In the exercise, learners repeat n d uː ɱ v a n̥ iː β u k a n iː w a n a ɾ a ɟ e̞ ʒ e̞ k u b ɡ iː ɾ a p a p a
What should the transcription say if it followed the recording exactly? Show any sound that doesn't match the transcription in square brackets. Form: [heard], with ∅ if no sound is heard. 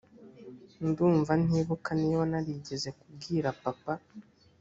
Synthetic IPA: n d uː ɱ v a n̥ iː β u k a n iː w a n a ɾ [i] ɟ e̞ [z] e̞ k u b ɡ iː ɾ a p a p a